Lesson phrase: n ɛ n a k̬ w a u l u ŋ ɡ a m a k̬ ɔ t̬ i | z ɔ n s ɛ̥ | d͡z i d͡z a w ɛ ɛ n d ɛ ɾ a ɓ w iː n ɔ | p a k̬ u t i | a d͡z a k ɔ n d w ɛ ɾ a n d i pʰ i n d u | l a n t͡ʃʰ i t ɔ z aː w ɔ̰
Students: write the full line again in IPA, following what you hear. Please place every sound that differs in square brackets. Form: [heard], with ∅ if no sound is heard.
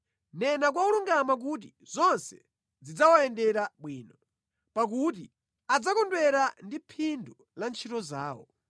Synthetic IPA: n ɛ n a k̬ w a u l u ŋ ɡ a m a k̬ [u] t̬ i | z ɔ n s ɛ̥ | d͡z i d͡z a w [a] ɛ n d ɛ ɾ a ɓ w iː n ɔ | p a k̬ u t i | a d͡z a k ɔ n d w ɛ ɾ a n d i pʰ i n d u | l a n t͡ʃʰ i t ɔ z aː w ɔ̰

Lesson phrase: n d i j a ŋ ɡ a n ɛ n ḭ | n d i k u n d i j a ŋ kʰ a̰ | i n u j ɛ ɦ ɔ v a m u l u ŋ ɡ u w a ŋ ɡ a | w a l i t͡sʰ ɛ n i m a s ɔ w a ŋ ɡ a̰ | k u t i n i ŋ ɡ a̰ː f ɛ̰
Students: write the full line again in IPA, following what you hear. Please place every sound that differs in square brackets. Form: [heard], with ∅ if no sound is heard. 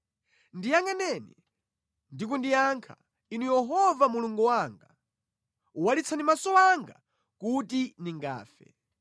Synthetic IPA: n d i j a ŋ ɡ a n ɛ n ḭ | n d i k u n d i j a ŋ kʰ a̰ | i n u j ɛ ɦ ɔ v a m u l u ŋ ɡ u w a ŋ ɡ a | w a l i t͡sʰ [a] n i m a s ɔ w a ŋ ɡ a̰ | k u t i n i ŋ ɡ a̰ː f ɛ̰

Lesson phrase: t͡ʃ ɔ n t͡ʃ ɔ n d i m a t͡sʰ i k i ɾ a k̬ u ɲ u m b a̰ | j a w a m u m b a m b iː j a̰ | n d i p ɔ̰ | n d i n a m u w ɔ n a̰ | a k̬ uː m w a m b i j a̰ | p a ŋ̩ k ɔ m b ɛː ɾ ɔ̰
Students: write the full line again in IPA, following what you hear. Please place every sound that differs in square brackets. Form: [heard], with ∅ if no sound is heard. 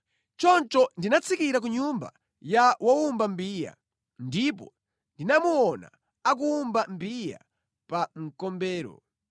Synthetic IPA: t͡ʃ ɔ n t͡ʃ ɔ n d i [n] a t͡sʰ i k i ɾ a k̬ u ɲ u m b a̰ | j a w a [∅] u m b a m b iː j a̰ | n d i p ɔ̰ | n d i n a m u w ɔ n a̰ | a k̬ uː m [b] a m b i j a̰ | p a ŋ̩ k ɔ m b ɛː ɾ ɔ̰

